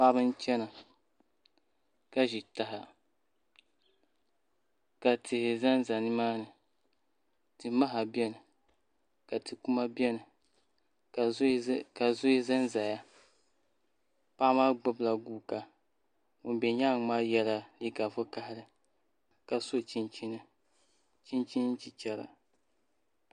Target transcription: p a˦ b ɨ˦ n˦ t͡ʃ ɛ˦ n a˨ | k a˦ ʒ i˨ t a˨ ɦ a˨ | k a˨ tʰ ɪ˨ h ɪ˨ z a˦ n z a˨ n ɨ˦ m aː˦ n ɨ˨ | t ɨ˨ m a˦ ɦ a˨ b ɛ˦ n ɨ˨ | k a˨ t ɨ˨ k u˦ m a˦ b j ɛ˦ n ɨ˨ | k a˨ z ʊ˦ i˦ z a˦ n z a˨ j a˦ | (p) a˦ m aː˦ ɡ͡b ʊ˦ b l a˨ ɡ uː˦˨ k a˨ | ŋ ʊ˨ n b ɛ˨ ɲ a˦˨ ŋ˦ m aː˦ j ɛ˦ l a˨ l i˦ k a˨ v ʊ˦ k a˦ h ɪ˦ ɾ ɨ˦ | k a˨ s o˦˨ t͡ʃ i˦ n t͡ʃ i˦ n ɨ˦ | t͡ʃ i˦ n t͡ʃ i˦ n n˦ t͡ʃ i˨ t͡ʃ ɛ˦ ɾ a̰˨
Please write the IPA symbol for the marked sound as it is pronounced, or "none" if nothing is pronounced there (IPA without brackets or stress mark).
p